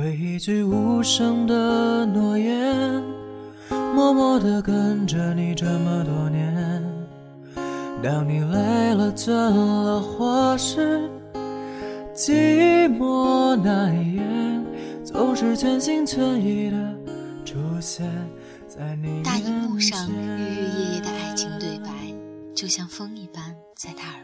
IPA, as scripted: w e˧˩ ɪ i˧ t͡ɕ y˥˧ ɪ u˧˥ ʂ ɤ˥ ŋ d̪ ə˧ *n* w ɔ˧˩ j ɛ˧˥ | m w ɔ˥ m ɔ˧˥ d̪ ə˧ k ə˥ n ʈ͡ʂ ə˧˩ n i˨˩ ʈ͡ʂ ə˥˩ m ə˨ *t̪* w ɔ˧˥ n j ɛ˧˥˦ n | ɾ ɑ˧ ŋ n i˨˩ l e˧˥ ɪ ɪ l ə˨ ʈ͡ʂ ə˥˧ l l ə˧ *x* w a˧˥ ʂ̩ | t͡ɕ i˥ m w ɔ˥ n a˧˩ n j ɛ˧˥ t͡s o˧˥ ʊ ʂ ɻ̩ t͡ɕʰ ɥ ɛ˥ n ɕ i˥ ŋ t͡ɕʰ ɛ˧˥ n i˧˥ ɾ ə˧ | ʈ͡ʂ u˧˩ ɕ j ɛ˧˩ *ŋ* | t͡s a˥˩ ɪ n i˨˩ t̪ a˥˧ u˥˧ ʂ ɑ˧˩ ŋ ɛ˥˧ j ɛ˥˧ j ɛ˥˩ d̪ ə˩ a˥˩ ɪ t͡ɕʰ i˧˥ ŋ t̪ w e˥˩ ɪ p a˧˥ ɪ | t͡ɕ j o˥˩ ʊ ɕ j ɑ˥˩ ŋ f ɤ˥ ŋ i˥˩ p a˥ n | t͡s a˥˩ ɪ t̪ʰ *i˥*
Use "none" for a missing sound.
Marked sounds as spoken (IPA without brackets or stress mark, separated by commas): n, t̪, x, n, a˥